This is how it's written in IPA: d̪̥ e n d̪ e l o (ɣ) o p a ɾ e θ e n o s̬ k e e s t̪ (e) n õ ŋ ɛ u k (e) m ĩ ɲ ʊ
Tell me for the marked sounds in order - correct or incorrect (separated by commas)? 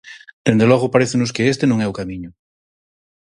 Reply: correct, correct, incorrect